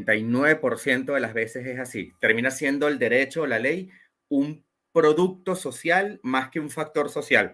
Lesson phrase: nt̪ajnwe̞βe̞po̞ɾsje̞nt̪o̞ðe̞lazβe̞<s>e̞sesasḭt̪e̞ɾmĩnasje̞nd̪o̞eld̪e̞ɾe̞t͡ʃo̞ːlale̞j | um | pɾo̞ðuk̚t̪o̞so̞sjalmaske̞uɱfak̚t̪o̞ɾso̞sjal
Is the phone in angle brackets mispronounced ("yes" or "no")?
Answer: no